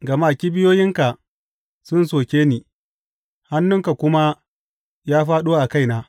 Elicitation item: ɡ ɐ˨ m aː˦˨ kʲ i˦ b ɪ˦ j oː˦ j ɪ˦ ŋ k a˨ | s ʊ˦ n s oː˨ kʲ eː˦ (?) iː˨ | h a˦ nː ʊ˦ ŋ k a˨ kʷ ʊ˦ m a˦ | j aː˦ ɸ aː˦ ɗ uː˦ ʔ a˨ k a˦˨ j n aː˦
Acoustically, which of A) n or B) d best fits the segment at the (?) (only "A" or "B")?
A